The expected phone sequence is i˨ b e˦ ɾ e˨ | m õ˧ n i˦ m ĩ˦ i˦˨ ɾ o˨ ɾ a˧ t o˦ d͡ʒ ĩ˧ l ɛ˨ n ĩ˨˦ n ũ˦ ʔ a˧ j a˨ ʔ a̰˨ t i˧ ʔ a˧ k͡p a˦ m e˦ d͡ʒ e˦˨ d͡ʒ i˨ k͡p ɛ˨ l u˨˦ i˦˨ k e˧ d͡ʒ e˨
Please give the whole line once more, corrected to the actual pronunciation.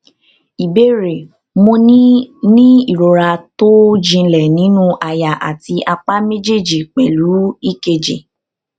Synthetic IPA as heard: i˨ b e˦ ɾ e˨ | m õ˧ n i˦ n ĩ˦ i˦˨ ɾ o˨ ɾ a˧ t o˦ d͡ʒ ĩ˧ l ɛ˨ n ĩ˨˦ n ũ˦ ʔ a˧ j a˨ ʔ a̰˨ t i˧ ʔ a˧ k͡p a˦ m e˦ d͡ʒ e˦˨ d͡ʒ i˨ k͡p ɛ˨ l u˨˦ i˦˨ k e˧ d͡ʒ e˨